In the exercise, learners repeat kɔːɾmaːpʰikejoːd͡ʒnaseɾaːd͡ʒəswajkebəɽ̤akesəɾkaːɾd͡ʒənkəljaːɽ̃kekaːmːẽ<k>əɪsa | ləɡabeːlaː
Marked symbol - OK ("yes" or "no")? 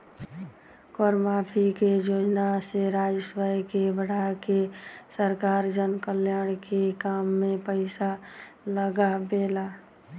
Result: no